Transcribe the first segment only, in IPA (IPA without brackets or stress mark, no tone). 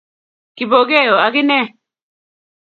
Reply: k